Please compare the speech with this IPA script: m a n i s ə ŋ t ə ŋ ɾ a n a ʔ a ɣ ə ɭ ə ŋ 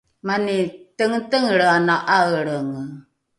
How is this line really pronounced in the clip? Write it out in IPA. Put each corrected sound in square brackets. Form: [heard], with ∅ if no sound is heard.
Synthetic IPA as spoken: m a n i [t] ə ŋ t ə ŋ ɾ a n a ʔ a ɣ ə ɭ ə ŋ